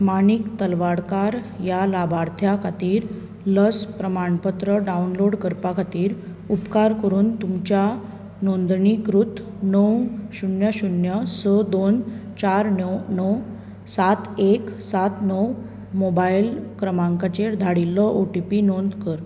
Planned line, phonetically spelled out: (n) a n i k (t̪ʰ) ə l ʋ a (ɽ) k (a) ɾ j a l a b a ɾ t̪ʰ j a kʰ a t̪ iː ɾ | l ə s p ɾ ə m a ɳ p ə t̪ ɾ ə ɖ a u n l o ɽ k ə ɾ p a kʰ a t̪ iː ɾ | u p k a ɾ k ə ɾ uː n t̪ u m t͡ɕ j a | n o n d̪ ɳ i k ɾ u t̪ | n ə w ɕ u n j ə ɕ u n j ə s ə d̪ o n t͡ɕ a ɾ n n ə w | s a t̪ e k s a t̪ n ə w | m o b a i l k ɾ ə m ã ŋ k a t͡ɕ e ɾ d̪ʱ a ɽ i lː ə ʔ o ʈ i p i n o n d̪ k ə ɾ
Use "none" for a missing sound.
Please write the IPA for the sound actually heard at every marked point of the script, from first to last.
m, t̪, ɽ, a

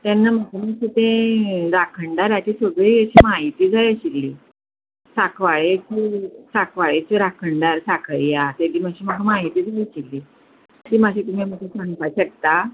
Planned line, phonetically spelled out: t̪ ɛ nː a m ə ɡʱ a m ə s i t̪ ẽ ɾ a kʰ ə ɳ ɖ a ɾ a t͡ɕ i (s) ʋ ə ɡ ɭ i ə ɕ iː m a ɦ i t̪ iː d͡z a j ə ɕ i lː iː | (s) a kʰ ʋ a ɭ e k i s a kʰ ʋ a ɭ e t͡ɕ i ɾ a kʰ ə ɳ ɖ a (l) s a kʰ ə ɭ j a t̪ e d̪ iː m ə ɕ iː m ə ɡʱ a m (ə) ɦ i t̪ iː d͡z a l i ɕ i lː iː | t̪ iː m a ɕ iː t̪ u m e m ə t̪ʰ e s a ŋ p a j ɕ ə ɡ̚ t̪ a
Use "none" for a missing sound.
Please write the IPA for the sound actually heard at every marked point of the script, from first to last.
s, s, ɾ, a

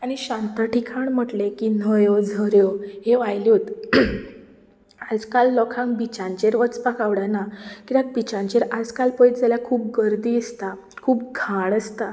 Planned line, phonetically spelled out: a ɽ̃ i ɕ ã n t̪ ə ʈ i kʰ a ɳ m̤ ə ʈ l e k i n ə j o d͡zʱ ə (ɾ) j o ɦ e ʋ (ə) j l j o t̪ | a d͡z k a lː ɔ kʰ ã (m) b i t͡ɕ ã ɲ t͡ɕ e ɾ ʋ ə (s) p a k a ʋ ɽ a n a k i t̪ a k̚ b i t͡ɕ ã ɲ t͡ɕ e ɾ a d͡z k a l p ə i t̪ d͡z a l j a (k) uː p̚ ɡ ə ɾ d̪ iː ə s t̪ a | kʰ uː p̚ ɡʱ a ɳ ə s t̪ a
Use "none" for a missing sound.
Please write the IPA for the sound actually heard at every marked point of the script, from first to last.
ɾ, a, ŋ, t͡s, kʰ

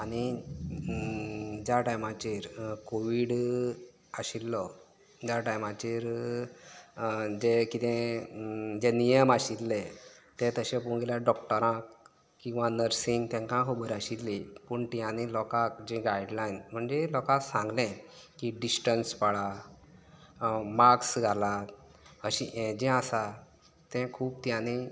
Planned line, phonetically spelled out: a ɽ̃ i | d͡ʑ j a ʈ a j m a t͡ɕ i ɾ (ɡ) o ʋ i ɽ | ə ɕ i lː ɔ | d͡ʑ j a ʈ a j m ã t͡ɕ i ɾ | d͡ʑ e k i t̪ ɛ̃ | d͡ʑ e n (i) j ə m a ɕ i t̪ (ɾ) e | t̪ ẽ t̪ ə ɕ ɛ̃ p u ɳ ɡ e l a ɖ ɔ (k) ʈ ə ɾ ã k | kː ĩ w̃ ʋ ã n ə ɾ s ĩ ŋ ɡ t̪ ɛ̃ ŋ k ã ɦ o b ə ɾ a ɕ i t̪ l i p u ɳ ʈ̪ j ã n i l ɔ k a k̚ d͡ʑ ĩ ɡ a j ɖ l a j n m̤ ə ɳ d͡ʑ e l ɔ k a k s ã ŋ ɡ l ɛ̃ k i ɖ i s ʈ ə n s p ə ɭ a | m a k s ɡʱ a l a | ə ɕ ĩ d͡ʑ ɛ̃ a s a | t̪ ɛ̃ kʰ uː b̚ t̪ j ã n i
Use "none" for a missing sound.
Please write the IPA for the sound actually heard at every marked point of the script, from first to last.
k, i, l, k

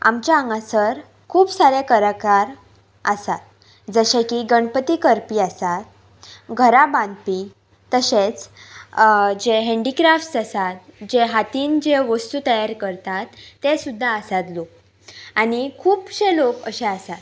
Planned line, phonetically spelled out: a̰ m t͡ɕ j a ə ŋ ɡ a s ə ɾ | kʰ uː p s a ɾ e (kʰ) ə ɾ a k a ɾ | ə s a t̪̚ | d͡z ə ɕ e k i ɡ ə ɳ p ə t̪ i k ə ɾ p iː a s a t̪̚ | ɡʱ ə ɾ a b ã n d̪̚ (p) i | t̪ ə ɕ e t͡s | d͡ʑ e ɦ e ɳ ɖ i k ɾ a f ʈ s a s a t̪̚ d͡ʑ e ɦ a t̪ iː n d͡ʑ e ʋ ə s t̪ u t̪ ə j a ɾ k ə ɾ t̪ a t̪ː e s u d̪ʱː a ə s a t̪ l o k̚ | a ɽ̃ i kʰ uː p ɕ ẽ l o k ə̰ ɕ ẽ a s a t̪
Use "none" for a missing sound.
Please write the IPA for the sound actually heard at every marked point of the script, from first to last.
k, p

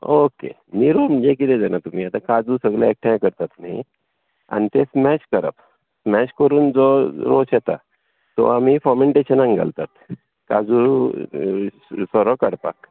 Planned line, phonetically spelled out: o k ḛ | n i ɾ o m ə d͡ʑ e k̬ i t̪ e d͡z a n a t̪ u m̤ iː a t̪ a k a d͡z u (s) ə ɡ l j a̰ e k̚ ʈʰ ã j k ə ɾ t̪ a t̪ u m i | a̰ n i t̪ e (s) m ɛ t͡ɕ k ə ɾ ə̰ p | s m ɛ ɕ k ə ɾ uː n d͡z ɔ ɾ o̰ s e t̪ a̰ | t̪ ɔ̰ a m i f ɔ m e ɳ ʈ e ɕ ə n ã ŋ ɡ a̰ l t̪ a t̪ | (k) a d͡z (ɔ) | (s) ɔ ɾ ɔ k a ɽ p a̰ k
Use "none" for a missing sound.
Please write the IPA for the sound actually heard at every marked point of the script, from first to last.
s, s, k, u, s

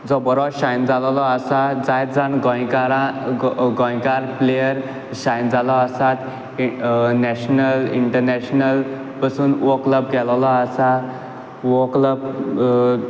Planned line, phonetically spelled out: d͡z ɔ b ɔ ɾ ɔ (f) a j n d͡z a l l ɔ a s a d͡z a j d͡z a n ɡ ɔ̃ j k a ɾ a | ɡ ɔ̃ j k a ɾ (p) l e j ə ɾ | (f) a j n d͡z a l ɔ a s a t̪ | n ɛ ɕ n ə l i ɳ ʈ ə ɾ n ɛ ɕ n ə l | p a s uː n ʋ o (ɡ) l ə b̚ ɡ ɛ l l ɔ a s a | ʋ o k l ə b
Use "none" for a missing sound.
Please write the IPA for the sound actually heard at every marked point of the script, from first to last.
ɕ, p, ɕ, k

